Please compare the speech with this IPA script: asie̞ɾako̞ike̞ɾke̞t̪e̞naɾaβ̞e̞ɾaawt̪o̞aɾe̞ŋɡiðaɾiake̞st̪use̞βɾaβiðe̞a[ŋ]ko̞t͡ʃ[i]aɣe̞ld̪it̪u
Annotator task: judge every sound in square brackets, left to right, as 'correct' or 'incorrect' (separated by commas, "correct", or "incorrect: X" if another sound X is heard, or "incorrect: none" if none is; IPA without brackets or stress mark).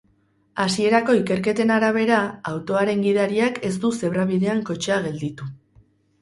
correct, incorrect: e